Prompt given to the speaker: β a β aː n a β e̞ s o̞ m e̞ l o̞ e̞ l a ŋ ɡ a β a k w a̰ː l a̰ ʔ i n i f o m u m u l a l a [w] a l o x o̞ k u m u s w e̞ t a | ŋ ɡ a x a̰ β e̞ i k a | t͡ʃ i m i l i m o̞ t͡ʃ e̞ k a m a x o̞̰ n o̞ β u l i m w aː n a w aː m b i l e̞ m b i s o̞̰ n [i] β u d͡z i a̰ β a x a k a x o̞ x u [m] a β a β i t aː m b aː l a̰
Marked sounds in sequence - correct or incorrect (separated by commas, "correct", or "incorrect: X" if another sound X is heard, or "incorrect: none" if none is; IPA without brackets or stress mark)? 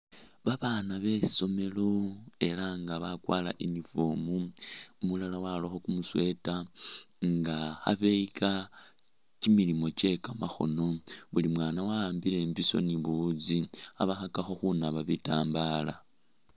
correct, correct, incorrect: n